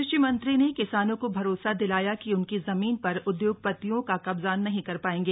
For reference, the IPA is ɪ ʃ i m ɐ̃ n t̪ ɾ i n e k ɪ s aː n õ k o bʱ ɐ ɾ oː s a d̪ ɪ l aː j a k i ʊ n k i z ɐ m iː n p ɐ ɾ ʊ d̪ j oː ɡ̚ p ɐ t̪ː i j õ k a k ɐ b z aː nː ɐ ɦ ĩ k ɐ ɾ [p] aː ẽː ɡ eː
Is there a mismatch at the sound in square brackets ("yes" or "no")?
no